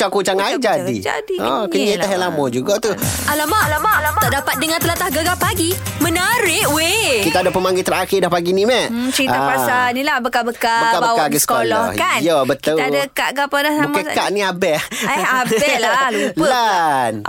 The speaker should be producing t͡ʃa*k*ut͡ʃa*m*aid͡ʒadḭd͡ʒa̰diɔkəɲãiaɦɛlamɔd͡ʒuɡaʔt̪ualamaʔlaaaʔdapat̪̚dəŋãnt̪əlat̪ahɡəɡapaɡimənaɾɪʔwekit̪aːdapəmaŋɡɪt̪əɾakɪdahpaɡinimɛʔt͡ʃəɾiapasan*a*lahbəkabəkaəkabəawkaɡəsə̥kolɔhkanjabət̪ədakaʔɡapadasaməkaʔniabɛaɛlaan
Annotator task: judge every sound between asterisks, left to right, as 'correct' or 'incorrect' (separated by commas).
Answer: correct, incorrect, incorrect